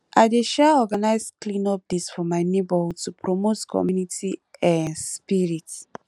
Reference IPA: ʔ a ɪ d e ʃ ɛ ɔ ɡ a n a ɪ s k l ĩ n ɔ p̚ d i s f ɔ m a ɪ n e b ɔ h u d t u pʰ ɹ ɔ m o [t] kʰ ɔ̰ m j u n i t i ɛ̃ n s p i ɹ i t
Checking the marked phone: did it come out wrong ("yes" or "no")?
no